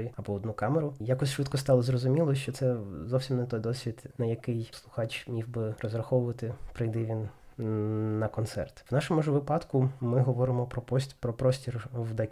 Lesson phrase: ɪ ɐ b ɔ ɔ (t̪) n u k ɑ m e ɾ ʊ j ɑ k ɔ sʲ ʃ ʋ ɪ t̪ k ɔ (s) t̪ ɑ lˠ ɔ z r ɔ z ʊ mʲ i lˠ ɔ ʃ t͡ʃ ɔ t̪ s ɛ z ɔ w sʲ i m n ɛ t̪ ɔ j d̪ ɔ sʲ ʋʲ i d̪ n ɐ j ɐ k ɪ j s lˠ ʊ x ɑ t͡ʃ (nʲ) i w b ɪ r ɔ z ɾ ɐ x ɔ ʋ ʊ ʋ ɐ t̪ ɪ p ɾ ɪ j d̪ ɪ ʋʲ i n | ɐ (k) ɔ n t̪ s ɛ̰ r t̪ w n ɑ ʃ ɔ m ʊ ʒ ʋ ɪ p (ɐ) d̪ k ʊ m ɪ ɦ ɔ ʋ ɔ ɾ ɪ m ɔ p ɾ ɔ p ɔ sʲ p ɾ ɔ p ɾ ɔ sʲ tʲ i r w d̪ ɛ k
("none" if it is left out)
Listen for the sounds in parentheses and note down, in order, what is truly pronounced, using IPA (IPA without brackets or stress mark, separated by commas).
d̪, s, mʲ, k, ɑ